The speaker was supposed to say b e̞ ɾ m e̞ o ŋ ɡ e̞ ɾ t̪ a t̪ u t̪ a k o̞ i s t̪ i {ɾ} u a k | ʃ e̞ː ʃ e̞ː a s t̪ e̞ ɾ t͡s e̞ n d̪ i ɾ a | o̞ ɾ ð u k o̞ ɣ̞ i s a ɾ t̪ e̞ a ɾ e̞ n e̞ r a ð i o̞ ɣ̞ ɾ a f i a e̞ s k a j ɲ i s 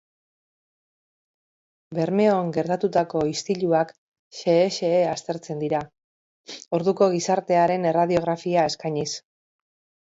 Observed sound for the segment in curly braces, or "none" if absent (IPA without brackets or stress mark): ʎ